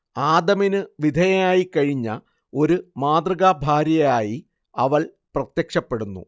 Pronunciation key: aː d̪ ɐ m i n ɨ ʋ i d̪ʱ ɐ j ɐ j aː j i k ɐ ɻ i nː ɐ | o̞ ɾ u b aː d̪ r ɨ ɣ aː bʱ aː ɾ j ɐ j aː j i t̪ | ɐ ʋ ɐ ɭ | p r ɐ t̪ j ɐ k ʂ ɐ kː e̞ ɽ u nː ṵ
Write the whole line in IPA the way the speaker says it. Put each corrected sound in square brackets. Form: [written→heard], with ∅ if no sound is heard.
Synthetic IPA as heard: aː d̪ ɐ m i n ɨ ʋ i d̪ʱ ɐ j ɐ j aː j i k ɐ ɻ i [nː→ɲː] ɐ | o̞ ɾ u [b→m] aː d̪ r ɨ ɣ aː bʱ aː ɾ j ɐ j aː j i [t̪→∅] | ɐ ʋ ɐ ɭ | p r ɐ t̪ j ɐ k ʂ ɐ [kː→pː] e̞ ɽ u nː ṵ